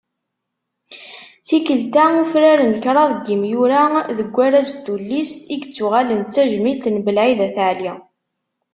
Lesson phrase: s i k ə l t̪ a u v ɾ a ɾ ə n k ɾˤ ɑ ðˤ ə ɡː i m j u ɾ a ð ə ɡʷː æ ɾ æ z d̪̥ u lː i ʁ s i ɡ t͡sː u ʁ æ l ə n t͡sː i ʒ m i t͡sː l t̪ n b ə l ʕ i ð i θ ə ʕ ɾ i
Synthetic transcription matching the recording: θ i k ə l t̪ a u f ɾ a ɾ ə n k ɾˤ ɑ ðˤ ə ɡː i m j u ɾ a ð ə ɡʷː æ ɾ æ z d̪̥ u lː i s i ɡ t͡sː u ʁ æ l ə n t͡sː æ ʒ m i l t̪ n b ə l ʕ i ð æ θ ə ʕ l i